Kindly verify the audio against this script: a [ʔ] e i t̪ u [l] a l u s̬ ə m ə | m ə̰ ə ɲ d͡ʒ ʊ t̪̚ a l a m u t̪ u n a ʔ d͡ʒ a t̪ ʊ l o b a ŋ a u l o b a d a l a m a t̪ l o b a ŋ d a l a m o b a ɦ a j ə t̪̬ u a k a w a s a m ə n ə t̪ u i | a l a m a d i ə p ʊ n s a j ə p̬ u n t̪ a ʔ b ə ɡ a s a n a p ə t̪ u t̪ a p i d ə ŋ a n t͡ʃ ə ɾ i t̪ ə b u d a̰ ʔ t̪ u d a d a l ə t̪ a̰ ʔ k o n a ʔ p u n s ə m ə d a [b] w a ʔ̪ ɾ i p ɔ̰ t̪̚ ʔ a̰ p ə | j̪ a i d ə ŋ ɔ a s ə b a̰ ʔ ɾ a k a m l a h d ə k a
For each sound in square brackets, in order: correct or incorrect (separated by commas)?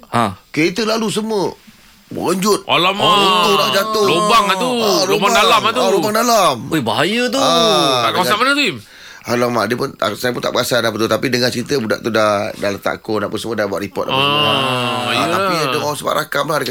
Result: incorrect, correct, correct